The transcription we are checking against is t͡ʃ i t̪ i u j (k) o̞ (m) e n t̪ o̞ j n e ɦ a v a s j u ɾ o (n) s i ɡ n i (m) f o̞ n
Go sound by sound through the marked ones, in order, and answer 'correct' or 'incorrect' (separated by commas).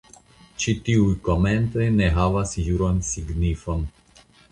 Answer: correct, correct, correct, incorrect